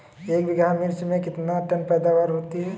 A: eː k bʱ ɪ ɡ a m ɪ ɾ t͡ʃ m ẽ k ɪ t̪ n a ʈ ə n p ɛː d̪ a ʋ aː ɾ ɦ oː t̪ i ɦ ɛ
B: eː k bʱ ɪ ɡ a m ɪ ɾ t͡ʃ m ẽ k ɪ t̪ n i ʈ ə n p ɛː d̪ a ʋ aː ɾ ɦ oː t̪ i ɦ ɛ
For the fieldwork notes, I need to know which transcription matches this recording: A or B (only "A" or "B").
A